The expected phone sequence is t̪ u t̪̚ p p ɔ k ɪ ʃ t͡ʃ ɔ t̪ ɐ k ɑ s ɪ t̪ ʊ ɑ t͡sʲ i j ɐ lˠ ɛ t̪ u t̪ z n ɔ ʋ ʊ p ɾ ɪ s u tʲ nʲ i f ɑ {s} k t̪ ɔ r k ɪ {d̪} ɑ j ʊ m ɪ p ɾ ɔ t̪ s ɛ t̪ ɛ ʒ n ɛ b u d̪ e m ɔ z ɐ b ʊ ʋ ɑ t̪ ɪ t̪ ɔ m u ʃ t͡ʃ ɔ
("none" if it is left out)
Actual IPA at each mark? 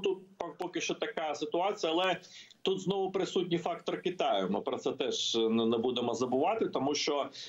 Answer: none, t̪

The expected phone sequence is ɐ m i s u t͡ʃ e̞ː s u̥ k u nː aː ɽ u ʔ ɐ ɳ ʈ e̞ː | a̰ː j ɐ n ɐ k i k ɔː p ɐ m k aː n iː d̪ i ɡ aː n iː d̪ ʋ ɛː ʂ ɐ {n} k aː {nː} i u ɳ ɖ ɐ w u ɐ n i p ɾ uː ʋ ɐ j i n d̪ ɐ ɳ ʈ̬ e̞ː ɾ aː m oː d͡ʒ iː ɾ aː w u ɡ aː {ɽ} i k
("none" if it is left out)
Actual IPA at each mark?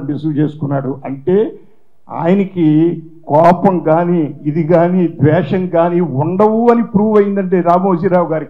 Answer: ŋ, n, ɾ

